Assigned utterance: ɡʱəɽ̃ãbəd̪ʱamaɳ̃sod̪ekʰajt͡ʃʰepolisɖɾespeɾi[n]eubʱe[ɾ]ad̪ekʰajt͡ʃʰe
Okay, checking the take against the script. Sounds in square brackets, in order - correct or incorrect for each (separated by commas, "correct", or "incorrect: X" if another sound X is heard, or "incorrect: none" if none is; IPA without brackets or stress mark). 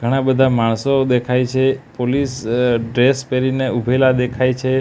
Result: correct, incorrect: l